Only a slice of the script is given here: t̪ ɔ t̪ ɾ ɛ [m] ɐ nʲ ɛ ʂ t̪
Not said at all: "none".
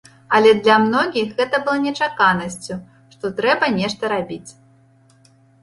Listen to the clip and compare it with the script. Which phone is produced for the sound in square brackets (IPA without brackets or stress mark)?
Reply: b